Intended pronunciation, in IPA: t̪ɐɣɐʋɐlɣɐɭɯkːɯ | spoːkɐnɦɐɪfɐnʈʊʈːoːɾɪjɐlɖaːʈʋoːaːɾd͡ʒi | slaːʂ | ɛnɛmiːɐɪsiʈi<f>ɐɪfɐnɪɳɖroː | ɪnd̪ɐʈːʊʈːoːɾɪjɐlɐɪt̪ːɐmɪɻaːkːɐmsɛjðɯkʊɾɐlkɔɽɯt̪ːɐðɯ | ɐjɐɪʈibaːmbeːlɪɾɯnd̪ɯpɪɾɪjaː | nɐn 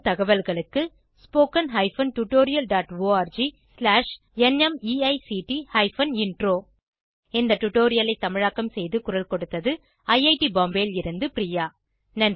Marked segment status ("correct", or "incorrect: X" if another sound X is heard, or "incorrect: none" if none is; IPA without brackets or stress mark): incorrect: h